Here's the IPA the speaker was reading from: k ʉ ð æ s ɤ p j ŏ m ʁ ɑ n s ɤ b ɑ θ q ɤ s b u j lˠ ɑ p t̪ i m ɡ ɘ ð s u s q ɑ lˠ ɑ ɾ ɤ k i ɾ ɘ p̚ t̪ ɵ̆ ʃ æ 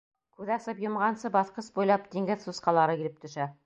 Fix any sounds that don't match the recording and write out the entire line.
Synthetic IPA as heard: k ʉ ð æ s ɤ p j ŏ m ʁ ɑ n s ɤ b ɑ θ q ɤ s b u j lˠ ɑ p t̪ i ŋ ɡ ɘ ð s u s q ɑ lˠ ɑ ɾ ɤ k i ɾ ɘ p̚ t̪ ɵ̆ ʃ æ